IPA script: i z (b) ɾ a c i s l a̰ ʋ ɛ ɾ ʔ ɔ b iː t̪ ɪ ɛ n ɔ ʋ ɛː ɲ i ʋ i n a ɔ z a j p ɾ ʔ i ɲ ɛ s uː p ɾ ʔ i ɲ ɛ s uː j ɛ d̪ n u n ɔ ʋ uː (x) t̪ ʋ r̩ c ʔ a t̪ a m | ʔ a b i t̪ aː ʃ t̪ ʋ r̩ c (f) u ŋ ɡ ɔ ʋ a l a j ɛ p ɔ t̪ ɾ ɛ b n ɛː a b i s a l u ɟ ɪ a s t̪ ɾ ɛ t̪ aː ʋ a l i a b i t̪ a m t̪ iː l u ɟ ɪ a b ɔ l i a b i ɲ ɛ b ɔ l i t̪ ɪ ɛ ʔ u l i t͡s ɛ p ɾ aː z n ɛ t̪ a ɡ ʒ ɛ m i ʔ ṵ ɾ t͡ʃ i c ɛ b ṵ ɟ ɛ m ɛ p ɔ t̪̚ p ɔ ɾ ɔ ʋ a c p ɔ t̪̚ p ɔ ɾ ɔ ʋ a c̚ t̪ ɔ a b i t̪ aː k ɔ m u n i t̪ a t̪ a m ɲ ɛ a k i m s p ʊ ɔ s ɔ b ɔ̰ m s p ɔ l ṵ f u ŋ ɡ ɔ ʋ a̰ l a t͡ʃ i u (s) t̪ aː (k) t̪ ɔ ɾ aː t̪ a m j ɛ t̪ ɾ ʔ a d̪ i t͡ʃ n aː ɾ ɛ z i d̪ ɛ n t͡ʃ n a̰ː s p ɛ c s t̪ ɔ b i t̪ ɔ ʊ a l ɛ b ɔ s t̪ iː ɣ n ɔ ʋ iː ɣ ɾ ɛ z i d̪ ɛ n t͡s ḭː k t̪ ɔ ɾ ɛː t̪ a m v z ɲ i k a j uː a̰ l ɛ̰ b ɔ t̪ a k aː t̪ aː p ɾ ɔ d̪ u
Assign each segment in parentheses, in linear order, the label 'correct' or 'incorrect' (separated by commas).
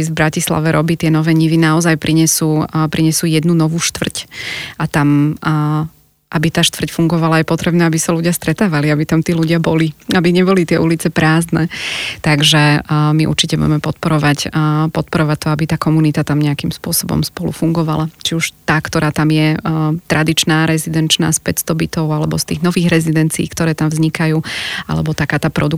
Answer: correct, incorrect, correct, incorrect, correct